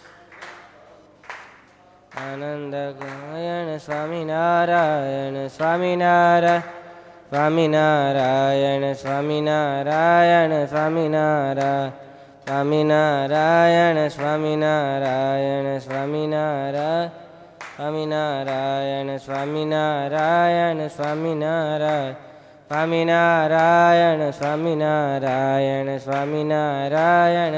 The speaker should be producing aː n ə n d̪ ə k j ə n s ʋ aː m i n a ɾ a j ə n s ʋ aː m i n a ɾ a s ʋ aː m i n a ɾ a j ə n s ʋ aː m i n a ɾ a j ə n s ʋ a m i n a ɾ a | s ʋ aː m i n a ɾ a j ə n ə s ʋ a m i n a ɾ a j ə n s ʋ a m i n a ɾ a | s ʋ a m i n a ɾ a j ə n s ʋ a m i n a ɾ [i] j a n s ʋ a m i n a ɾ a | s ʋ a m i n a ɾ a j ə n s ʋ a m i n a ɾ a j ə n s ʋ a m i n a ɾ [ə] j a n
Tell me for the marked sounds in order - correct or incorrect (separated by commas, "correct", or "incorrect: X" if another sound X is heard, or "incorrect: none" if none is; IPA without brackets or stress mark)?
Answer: incorrect: a, incorrect: a